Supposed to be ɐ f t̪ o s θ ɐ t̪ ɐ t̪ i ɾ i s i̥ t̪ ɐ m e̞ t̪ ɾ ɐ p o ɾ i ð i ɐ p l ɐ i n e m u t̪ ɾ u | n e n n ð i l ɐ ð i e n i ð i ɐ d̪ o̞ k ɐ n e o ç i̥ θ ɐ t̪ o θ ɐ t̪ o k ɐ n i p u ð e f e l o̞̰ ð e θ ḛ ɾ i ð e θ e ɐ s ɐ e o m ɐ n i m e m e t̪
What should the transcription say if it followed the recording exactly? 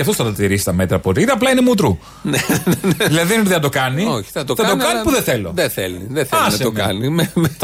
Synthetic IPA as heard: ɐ f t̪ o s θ ɐ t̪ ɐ t̪ i ɾ i s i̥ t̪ ɐ m e̞ t̪ ɾ ɐ p o ɾ i ð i ɐ p l ɐ i n e m u t̪ ɾ u | n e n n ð i l ɐ ð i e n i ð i ɐ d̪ o̞ k ɐ n i o ç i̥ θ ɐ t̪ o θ ɐ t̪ o k ɐ n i p u ð e θ e l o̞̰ ð e θ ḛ l i ð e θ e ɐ s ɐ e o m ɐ n i m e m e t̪